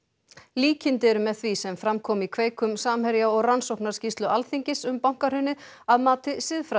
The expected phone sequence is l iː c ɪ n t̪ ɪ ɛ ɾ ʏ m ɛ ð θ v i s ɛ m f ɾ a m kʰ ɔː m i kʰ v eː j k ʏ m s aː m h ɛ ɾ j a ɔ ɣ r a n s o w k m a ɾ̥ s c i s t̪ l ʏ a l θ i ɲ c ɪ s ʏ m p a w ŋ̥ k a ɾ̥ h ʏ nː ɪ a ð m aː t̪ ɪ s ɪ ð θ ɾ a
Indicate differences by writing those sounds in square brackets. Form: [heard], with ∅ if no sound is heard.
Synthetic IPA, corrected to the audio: l iː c ɪ n t̪ ɪ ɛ ɾ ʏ m ɛ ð θ v i s ɛ m f ɾ a m kʰ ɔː m i kʰ v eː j k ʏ m s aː m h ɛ ɾ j a ɔ ɣ r a n s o w k [n] a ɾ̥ s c i s t̪ l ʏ a l θ i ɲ c ɪ s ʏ m p a w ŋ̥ k a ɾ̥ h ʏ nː ɪ a ð m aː t̪ ɪ s ɪ ð [f] ɾ a